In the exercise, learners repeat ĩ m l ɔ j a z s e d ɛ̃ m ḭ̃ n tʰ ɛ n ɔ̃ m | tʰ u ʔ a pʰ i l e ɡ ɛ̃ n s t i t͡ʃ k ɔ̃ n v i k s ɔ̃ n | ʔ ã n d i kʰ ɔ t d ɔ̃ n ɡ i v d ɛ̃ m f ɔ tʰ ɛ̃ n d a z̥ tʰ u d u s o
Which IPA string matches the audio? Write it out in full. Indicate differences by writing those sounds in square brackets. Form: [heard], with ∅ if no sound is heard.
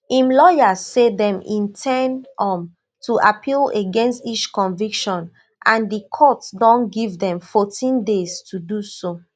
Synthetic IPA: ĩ m l ɔ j a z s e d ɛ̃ m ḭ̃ n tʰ ɛ n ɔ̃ m | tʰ u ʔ a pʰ i l e ɡ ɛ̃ n s t i t͡ʃ k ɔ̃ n v i k [ʃ] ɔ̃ n | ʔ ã n d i kʰ ɔ t d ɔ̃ n ɡ i v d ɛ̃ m f ɔ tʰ [ĩ] n d [e] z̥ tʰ u d u s o